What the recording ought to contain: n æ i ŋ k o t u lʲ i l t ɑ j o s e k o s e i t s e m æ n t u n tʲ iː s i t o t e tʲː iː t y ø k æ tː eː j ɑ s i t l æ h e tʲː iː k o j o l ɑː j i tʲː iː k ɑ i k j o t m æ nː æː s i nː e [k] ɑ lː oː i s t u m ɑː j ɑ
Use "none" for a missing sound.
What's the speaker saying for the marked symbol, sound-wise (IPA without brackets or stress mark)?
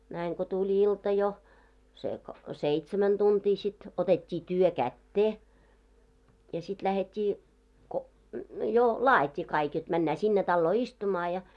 t